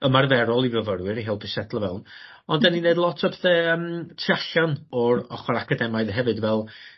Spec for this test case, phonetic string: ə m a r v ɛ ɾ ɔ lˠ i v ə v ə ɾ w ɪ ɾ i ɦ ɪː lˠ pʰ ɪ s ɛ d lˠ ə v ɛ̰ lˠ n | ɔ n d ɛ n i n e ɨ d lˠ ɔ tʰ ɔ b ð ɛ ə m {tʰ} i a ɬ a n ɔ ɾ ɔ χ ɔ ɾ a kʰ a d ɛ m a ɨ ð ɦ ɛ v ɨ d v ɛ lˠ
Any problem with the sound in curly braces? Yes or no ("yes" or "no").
no